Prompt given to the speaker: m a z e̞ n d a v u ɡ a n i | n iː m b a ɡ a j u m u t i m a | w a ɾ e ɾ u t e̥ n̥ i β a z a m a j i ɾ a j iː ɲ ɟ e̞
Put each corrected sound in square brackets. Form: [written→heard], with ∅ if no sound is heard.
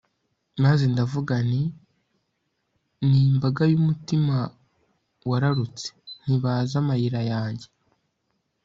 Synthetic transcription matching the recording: m a z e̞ n d a v u ɡ a n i | n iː m b a ɡ a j u m u t i m a | w a ɾ [e→a] ɾ u [t→t͡s] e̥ n̥ i β a z a m a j i ɾ a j [iː→aː] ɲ ɟ e̞